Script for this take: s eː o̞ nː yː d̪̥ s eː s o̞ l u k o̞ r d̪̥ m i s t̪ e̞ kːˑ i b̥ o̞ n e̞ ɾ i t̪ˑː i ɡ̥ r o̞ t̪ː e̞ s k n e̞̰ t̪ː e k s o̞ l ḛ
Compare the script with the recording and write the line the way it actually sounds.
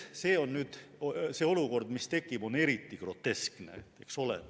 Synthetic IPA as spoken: s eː o̞ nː yː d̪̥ s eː o̞ l u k o̞ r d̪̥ m i s t̪ e̞ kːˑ i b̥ o̞ n e̞ ɾ i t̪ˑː i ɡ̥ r o̞ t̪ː e̞ s k n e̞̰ e k s o̞ l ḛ